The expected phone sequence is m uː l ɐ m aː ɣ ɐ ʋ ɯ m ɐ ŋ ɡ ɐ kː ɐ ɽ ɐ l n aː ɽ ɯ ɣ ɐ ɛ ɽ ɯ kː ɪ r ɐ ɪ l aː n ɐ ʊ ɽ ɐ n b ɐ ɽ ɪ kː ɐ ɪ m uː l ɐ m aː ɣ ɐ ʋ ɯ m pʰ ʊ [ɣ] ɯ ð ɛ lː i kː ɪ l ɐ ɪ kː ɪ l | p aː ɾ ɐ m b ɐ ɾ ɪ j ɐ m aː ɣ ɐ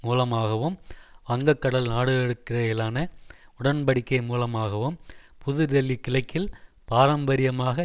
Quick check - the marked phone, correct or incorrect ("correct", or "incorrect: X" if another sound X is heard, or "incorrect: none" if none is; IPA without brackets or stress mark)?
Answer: incorrect: ð